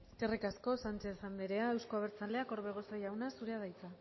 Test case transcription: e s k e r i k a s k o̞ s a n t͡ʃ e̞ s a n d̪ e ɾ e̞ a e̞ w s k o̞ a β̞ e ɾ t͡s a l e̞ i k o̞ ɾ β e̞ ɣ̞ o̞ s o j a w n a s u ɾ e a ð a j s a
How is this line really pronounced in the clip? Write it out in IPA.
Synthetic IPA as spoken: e s k e r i k a s k o̞ s a n t͡ʃ e̞ s a n d̪ e ɾ e̞ a e̞ w s k o̞ a β̞ e ɾ t͡s a l e̞ a k o̞ ɾ β e̞ ɣ̞ o̞ s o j a w n a s u ɾ e a ð a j t͡s a